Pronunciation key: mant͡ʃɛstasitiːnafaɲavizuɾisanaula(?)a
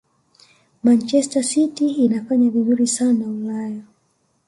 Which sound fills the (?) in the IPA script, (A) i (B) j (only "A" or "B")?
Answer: B